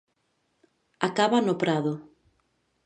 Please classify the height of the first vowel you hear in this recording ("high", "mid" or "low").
low